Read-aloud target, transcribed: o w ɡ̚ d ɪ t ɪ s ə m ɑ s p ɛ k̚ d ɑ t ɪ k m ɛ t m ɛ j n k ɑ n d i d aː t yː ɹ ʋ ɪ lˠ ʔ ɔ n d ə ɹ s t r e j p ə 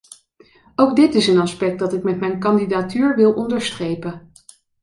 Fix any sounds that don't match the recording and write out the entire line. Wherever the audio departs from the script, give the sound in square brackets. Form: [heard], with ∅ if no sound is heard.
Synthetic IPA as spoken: o w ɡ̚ d ɪ t ɪ s ə [n] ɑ s p ɛ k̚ d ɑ t ɪ k m ɛ t m ɛ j n k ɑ n d i d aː t yː ɹ ʋ ɪ lˠ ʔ ɔ n d ə ɹ s t r e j p ə